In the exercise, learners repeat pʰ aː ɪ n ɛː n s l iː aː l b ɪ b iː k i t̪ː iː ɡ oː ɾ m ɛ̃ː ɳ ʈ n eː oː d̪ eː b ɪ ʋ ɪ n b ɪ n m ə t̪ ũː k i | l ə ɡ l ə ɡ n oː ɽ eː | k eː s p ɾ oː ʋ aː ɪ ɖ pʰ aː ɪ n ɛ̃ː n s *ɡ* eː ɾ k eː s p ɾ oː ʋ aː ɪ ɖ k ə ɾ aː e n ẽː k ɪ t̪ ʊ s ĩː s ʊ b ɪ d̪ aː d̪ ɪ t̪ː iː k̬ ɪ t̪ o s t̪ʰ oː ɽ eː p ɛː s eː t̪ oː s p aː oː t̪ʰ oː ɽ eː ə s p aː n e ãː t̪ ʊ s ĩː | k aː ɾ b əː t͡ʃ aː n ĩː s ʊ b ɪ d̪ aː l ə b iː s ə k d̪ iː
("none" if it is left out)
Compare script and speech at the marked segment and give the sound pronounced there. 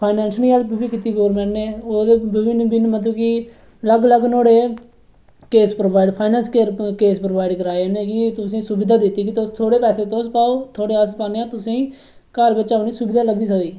k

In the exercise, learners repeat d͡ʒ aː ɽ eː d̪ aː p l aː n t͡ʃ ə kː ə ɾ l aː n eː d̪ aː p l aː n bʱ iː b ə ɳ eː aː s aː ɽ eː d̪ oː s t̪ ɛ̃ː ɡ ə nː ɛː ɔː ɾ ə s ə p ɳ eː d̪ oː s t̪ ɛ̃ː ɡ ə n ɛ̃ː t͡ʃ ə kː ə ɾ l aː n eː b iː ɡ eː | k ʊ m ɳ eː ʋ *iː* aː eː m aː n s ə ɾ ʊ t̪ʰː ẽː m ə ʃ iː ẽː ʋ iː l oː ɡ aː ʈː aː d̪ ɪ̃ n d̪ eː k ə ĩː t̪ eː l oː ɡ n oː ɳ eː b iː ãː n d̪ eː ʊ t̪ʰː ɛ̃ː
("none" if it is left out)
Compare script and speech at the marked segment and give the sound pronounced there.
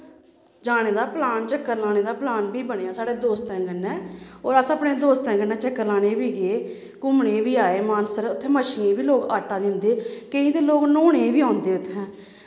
iː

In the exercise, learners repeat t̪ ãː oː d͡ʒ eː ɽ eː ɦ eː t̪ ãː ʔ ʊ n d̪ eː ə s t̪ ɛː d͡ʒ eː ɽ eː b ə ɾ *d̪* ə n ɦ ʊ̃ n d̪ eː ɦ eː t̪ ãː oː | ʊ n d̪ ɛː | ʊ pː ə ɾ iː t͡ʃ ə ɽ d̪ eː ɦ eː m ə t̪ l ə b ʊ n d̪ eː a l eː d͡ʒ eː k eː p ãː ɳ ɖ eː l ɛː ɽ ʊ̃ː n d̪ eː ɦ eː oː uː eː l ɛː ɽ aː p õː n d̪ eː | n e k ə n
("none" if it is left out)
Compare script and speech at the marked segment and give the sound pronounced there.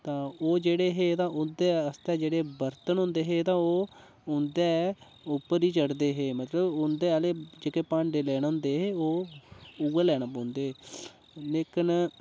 t̪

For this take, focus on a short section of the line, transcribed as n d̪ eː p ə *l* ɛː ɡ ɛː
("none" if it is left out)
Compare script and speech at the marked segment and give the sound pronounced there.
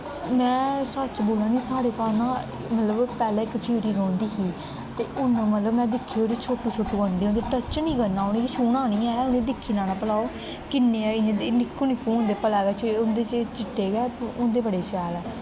l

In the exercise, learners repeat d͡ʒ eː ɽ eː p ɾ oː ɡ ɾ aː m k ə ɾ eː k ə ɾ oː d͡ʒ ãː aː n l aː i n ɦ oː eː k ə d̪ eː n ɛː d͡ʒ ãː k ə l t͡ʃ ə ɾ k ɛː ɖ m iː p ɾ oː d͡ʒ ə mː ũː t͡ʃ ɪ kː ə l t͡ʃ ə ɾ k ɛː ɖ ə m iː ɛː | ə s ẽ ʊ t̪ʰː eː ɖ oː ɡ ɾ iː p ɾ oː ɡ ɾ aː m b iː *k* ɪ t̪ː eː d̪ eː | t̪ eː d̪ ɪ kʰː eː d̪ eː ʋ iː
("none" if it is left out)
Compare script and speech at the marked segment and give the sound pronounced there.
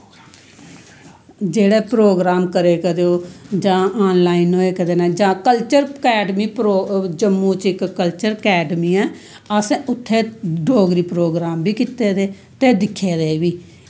k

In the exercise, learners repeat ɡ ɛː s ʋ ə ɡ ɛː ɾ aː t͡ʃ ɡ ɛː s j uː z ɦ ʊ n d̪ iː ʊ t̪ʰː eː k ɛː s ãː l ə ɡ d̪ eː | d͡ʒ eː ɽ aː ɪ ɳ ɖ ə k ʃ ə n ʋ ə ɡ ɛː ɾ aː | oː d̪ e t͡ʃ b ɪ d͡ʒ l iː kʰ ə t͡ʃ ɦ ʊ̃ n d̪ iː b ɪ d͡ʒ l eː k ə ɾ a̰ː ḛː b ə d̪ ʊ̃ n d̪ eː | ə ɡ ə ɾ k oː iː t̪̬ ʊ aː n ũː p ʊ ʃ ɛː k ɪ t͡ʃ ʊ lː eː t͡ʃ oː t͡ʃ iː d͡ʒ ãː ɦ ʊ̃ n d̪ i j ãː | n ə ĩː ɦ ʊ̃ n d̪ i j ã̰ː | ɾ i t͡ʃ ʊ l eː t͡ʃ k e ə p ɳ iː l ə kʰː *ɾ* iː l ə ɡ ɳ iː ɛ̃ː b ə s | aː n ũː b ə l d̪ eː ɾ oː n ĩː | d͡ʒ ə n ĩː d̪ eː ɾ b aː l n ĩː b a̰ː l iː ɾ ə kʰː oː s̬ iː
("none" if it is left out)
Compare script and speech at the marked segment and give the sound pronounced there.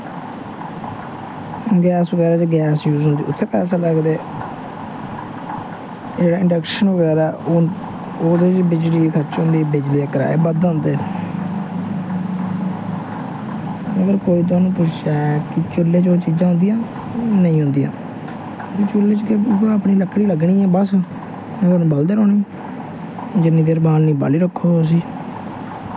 ɽ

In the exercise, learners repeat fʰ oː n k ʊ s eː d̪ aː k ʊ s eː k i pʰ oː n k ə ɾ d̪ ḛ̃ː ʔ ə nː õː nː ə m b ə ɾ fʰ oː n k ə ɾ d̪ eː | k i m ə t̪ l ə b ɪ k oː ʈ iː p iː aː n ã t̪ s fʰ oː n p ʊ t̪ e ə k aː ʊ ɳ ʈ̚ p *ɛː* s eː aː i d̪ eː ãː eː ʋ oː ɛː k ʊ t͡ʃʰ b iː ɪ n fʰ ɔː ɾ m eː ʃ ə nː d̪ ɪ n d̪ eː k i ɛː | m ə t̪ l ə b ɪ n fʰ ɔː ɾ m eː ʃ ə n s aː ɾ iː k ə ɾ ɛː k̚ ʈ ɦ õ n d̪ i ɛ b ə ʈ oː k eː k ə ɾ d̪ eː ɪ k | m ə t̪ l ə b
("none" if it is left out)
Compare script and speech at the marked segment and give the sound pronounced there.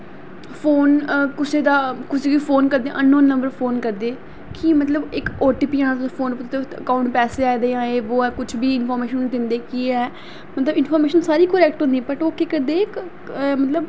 ɛː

